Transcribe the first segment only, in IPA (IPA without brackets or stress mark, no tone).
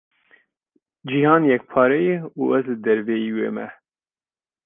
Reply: d͡ʒ